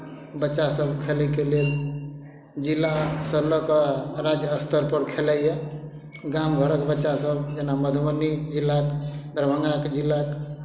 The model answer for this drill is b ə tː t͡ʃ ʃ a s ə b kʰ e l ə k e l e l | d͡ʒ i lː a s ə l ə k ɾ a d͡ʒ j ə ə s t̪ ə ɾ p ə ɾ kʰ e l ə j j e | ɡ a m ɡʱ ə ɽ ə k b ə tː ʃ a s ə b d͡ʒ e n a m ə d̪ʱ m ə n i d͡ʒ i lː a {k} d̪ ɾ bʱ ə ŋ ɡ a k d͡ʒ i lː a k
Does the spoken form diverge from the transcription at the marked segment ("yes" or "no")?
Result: no